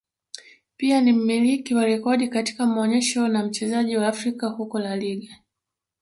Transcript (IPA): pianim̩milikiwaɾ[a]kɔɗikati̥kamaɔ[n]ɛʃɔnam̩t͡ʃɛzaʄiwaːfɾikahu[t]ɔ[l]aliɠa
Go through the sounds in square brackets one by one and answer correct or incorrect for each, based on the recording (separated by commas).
incorrect, incorrect, incorrect, correct